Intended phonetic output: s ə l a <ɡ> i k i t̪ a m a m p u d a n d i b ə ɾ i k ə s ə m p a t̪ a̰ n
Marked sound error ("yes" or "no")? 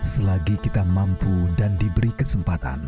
no